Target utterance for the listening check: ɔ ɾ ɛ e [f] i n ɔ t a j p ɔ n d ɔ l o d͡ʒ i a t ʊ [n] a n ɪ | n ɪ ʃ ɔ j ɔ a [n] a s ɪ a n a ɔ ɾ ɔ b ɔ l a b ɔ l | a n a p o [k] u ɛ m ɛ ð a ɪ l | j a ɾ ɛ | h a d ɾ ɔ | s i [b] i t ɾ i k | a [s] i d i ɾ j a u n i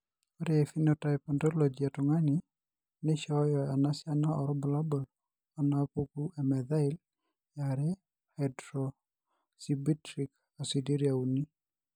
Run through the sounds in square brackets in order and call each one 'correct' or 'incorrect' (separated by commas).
correct, incorrect, correct, correct, correct, correct